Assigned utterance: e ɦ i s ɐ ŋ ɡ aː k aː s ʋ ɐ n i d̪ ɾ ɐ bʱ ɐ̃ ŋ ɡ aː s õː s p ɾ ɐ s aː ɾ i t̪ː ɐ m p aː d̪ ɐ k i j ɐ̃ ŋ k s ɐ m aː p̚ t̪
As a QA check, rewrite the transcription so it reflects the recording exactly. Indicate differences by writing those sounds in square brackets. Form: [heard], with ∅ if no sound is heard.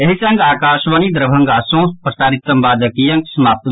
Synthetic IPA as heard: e ɦ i s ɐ ŋ ɡ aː k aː [ʃ] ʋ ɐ n i d̪ ɾ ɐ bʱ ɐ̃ ŋ ɡ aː s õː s p ɾ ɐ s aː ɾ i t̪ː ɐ m [b] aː d̪ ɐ k i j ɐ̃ ŋ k s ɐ m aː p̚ t̪